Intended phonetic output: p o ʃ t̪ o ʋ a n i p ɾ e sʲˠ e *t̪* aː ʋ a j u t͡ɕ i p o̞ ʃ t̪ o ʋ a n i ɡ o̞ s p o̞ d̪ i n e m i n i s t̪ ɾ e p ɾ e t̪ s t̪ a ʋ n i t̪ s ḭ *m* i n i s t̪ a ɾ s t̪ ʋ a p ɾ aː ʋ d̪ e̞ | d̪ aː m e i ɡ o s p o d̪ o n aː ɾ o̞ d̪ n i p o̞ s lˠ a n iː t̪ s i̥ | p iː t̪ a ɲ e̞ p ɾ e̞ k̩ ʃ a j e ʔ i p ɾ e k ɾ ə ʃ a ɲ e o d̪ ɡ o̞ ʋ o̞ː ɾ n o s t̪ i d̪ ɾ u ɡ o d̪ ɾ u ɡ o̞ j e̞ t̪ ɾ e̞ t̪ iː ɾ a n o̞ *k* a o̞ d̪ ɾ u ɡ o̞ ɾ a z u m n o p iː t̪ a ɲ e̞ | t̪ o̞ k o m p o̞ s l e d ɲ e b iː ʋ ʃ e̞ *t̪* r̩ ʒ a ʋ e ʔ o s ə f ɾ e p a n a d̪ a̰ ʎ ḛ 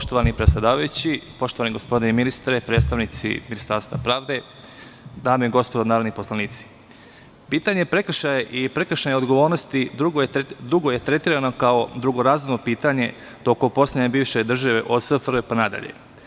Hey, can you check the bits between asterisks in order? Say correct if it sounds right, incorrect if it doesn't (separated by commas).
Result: incorrect, correct, correct, incorrect